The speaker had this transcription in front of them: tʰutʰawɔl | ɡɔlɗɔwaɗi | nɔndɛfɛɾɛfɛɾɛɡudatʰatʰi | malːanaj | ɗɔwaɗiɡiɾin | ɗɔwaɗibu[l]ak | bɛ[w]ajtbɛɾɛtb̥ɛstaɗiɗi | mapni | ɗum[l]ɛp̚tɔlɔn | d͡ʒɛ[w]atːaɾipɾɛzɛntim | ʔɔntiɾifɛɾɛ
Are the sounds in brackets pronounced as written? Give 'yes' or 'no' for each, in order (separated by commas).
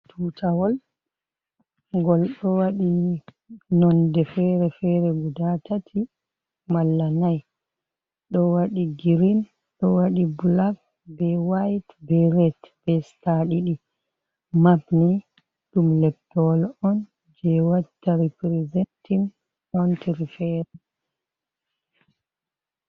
yes, yes, yes, yes